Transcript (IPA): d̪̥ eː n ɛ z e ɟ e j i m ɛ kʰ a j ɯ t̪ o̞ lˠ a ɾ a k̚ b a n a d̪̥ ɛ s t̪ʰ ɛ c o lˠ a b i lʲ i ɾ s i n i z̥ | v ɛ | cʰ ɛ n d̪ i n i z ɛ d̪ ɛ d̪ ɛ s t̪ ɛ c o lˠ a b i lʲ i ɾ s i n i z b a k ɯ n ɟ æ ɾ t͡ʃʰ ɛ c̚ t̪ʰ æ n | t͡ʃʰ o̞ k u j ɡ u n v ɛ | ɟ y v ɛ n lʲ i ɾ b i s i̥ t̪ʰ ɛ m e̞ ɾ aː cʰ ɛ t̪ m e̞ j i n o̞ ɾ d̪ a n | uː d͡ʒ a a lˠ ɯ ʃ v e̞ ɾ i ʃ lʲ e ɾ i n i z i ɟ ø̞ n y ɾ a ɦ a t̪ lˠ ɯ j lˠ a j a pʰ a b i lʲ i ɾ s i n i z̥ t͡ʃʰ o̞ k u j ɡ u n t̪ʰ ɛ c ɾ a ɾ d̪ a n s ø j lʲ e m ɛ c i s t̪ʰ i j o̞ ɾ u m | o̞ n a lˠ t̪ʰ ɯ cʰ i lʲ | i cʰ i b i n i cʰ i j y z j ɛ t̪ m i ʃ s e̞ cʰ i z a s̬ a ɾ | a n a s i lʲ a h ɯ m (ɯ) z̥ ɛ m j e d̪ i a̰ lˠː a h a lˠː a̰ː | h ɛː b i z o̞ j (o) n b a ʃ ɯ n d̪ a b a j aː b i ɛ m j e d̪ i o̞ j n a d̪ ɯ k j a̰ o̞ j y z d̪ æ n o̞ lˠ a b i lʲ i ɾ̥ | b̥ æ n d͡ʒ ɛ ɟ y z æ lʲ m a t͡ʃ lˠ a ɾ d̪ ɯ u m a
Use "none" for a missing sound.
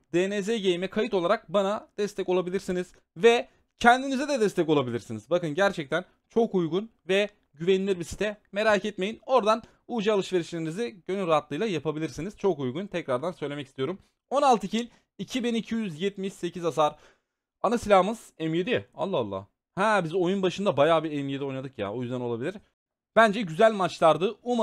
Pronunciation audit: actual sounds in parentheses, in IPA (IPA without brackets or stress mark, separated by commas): ɯ, u